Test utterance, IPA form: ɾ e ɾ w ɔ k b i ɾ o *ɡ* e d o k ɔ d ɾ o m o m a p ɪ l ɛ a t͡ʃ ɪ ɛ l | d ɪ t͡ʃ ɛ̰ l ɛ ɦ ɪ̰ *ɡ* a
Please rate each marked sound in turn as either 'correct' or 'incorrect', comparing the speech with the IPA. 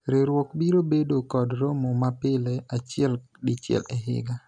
incorrect: b, correct

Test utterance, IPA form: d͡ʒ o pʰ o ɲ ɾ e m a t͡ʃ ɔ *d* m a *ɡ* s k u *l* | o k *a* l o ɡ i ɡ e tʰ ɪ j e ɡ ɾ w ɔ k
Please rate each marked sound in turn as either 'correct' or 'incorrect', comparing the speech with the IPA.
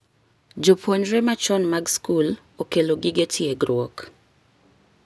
incorrect: n, correct, correct, incorrect: e

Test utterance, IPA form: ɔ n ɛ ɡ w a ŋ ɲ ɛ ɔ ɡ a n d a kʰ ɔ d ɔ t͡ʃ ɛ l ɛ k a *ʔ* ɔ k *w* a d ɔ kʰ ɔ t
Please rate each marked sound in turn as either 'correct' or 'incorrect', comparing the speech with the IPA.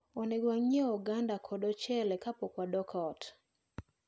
incorrect: p, correct

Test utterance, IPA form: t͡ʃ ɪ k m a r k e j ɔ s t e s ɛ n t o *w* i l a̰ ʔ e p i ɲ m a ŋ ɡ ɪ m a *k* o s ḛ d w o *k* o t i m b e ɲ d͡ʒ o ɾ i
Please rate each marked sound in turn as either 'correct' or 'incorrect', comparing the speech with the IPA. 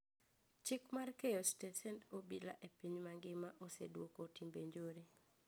incorrect: b, incorrect: ʔ, correct

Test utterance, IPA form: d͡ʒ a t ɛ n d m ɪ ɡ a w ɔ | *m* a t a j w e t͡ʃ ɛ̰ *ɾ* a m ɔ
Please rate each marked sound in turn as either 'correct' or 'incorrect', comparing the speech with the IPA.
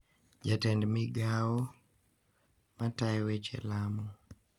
correct, incorrect: l

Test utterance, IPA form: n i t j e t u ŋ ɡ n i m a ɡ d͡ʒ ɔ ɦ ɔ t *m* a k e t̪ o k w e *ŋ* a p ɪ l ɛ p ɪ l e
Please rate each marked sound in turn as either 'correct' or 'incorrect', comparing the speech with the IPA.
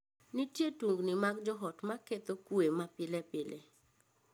correct, incorrect: m

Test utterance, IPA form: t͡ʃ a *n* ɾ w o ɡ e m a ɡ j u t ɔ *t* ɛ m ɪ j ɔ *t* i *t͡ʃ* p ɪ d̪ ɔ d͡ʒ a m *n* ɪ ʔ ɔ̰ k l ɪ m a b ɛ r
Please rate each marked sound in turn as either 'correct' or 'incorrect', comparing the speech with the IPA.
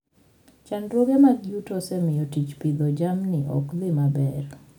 correct, incorrect: s, correct, correct, correct

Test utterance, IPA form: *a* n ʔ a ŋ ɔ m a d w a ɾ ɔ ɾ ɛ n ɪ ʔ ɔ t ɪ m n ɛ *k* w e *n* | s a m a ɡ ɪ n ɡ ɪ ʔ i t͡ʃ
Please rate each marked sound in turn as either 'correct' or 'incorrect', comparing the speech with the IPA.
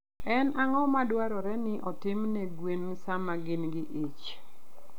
incorrect: ɛ, incorrect: ɡ, correct

